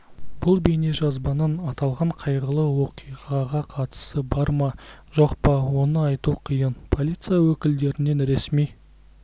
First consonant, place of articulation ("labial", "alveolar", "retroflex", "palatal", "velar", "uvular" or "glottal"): labial